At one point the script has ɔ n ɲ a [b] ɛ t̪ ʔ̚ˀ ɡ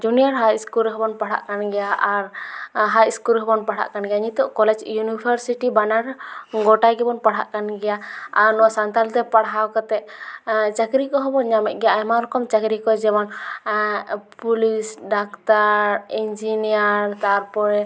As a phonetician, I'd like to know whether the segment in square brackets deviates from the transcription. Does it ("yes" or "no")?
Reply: yes